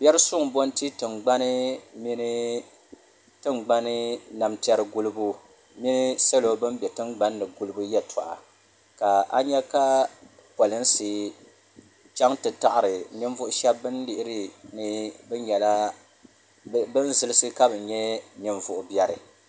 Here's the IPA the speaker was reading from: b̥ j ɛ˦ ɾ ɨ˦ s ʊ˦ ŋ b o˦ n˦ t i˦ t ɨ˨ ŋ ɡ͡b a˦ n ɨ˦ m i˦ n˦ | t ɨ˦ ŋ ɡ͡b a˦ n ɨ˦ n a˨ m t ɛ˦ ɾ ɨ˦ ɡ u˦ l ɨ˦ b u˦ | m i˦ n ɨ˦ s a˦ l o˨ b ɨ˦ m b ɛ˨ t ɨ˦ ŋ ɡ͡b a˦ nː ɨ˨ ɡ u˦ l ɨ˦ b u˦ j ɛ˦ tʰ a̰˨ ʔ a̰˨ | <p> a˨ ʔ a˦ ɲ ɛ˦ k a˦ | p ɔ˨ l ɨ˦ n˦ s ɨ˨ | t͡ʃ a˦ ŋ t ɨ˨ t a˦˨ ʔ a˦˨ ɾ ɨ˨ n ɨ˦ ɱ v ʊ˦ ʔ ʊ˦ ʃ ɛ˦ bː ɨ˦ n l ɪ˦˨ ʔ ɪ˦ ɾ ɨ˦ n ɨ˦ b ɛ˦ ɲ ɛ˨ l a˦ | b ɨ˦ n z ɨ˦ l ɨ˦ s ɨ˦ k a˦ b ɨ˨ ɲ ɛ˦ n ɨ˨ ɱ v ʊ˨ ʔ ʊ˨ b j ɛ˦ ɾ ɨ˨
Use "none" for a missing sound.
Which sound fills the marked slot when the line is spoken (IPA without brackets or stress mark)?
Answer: k